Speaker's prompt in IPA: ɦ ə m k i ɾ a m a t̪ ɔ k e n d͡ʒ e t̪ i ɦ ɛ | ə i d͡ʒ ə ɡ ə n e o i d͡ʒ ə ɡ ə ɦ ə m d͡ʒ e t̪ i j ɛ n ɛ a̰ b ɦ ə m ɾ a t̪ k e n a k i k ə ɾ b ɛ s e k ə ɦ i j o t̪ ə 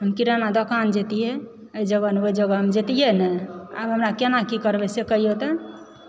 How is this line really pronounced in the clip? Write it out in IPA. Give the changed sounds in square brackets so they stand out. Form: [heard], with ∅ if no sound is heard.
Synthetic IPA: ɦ ə m k i ɾ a [n] a [d̪] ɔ k [a] n d͡ʒ e t̪ i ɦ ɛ | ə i d͡ʒ ə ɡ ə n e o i d͡ʒ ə ɡ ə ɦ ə m d͡ʒ e t̪ i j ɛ n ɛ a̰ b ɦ ə m ɾ a [∅] k e n a k i k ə ɾ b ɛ s e k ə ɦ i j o t̪ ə

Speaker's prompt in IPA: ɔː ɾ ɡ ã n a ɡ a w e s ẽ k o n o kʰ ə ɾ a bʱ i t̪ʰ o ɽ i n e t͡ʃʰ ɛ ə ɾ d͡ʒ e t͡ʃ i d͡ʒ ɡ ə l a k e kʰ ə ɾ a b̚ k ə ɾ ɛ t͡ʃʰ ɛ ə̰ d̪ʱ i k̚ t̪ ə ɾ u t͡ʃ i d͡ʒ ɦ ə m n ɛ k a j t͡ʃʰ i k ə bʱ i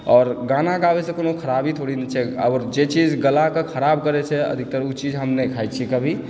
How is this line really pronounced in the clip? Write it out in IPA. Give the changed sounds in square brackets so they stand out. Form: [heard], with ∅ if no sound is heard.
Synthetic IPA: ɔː ɾ ɡ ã n a ɡ a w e s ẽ k o n o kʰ ə ɾ a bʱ i t̪ʰ o ɽ i n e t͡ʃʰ ɛ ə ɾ d͡ʒ e t͡ʃ i d͡ʒ ɡ ə l a k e kʰ ə ɾ a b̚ k ə ɾ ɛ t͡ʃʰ ɛ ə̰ d̪ʱ i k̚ t̪ ə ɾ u t͡ʃ i d͡ʒ ɦ ə m n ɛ [kʰ] a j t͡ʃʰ i k ə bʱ i

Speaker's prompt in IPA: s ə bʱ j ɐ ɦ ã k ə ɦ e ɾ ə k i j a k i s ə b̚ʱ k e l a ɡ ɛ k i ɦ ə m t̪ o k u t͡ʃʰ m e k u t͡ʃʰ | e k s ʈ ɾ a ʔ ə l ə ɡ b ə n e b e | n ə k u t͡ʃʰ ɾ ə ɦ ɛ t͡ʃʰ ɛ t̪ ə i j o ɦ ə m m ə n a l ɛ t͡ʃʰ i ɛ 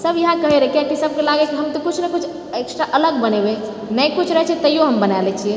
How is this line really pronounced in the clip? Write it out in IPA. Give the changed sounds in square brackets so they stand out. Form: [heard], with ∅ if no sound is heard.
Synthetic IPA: s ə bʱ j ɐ ɦ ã k ə ɦ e ɾ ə k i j a k i s ə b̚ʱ k e l a ɡ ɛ k i ɦ ə m t̪ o k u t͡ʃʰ [n] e k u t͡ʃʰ | e k s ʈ ɾ a ʔ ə l ə ɡ b ə n e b e | n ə k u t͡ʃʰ ɾ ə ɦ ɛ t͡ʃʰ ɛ t̪ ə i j o ɦ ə m [b] ə n a l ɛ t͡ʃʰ i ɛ

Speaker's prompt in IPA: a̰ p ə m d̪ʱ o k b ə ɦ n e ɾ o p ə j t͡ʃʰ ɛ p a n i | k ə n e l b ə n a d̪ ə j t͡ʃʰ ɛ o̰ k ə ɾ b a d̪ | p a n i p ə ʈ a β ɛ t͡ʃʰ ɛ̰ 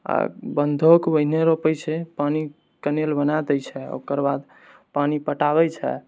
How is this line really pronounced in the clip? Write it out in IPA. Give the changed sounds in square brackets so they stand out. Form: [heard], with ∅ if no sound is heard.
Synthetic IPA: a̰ [b] ə [n] d̪ʱ o k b ə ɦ n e ɾ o p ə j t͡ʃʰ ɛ p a n i | k ə n e l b ə n a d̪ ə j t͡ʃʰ ɛ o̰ k ə ɾ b a d̪ | p a n i p ə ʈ a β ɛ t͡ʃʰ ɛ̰

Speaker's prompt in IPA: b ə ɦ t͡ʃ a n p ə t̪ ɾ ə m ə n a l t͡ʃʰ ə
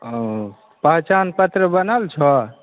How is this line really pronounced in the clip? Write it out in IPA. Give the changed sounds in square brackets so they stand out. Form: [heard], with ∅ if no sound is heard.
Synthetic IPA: [p] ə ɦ t͡ʃ a n p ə t̪ ɾ ə [b] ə n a l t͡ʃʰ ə

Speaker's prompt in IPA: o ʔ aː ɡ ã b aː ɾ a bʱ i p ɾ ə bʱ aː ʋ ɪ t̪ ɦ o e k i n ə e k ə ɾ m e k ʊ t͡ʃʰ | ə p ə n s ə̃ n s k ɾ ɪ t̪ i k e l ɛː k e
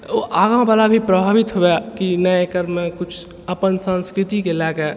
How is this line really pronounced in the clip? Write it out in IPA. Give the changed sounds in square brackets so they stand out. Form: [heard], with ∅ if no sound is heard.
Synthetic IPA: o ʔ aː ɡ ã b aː [l] a bʱ i p ɾ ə bʱ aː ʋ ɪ t̪ ɦ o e k i n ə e k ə ɾ m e k ʊ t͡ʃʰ | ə p ə n s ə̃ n s k ɾ ɪ t̪ i k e l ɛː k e

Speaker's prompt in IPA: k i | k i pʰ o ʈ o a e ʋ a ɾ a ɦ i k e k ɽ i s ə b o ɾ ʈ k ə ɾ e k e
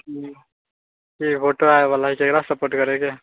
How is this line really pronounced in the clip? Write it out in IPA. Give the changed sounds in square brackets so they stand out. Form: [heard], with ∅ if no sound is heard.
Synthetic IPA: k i | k i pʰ o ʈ o a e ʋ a [l] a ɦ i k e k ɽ [a] s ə [p] o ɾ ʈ k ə ɾ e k e

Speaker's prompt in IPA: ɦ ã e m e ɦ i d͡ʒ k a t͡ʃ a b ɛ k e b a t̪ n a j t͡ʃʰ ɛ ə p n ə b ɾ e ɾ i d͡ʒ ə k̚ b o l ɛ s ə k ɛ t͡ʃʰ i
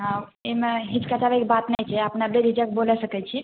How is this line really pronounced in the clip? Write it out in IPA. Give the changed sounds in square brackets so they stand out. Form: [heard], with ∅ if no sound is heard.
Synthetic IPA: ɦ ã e m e ɦ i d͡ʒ k a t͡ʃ a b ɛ k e b a t̪ n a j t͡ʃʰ ɛ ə p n [a] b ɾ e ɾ i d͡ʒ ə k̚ b o l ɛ s ə k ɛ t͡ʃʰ i

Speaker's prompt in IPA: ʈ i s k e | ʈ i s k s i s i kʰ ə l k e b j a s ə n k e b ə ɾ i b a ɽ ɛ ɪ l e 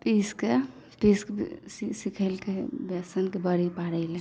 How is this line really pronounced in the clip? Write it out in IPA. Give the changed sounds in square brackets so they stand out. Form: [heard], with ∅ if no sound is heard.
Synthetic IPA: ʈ i s k e | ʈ i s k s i s i kʰ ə l k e b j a s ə n k e b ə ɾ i [p] a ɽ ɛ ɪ l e

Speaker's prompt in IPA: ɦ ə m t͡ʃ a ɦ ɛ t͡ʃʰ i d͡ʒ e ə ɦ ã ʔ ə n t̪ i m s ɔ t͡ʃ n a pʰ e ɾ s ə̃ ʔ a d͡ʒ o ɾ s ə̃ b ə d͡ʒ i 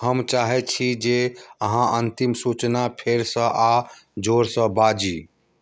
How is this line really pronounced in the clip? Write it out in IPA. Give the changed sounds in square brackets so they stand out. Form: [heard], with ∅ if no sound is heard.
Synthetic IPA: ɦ ə m t͡ʃ a ɦ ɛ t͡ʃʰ i d͡ʒ e ə ɦ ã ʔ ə n t̪ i m s [u] t͡ʃ n a pʰ e ɾ s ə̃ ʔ a d͡ʒ o ɾ s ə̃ b [a] d͡ʒ i

